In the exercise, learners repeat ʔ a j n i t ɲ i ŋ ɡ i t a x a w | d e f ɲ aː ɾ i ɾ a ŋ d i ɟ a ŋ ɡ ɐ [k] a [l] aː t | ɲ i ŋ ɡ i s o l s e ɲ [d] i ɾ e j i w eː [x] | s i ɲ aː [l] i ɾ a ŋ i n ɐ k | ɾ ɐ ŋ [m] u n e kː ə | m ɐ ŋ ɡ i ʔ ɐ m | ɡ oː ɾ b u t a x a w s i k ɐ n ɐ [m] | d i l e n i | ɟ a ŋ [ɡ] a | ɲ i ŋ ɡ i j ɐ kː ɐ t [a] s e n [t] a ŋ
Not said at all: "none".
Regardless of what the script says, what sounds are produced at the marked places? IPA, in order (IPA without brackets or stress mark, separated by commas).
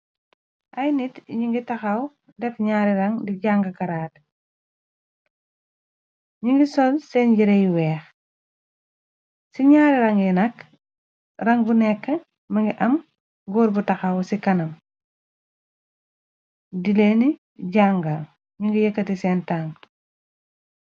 k, ɾ, ɟ, x, ɾ, b, m, ɡ, i, t